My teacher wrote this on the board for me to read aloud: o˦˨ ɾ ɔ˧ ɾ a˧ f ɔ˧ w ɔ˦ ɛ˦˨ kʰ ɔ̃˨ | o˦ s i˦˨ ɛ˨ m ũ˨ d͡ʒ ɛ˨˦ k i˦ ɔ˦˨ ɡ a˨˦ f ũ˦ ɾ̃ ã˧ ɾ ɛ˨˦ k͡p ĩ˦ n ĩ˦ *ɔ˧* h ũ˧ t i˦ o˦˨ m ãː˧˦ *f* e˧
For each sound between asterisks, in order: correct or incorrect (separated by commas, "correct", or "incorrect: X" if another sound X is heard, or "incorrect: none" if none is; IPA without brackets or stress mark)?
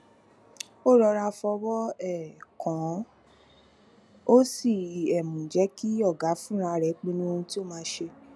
incorrect: o˧, incorrect: ʃ